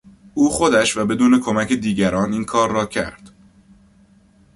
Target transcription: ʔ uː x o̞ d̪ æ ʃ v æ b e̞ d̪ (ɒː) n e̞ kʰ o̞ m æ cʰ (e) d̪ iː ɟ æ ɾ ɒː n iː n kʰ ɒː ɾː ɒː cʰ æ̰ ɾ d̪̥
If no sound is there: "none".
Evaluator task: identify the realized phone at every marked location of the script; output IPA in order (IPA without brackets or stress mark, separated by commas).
uː, e